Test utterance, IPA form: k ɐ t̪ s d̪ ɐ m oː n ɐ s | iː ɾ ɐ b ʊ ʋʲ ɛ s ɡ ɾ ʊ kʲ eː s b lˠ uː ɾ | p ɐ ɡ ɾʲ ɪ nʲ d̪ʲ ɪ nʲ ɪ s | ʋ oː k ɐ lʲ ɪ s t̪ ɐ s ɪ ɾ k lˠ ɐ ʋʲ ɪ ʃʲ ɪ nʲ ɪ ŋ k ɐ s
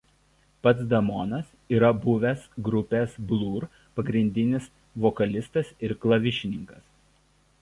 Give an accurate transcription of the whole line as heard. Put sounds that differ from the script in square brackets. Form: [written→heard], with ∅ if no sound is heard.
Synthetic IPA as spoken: [k→p] ɐ t̪ s d̪ ɐ m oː n ɐ s | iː ɾ ɐ b ʊ ʋʲ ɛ s ɡ ɾ ʊ [kʲ→pʲ] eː s b lˠ uː ɾ | p ɐ ɡ ɾʲ ɪ nʲ d̪ʲ ɪ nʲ ɪ s | ʋ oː k ɐ lʲ ɪ s t̪ ɐ s ɪ ɾ k lˠ ɐ ʋʲ ɪ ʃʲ ɪ nʲ ɪ ŋ k ɐ s